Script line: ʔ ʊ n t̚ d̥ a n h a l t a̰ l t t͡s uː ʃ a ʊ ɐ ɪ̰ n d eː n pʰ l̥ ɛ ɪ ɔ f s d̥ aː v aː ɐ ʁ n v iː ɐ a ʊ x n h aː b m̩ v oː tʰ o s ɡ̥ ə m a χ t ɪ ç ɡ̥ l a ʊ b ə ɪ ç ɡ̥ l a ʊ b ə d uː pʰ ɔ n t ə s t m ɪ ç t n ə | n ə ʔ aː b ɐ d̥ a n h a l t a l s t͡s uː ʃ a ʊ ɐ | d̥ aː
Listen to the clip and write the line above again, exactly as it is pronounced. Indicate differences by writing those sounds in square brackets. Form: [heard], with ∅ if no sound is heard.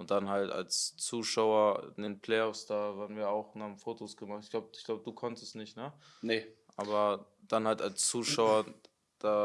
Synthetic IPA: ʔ ʊ n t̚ d̥ a n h a l t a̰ l [s] t͡s uː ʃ a ʊ ɐ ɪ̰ n d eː n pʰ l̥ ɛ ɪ ɔ f s d̥ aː v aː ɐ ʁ n v iː ɐ a ʊ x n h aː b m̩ [f] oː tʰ o s ɡ̥ ə m a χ t ɪ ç ɡ̥ l a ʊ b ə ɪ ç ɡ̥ l a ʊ b ə d uː [kʰ] ɔ n t ə s t [n] ɪ ç t n ə | n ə ʔ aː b ɐ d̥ a n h a l t a l s t͡s uː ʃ a ʊ ɐ | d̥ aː